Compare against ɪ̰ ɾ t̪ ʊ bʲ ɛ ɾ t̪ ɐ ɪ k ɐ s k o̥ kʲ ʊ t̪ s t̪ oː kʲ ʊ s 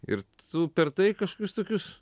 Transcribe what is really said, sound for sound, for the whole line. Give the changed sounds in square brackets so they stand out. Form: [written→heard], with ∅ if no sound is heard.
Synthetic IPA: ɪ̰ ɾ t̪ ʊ [bʲ→pʲ] ɛ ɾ t̪ ɐ ɪ k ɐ [s→ʃ] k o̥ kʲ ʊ [t̪→∅] s t̪ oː kʲ ʊ s